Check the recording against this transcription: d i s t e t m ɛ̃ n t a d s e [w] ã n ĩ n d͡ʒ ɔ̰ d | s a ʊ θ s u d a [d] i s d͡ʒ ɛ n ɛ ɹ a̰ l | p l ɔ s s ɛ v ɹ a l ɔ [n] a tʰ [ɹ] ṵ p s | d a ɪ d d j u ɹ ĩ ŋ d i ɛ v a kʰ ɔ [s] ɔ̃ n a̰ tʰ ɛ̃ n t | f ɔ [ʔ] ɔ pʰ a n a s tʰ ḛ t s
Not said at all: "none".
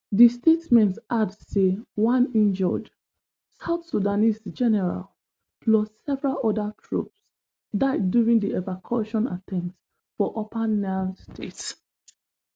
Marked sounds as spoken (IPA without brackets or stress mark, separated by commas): w, n, d, ɹ, ʃ, ʔ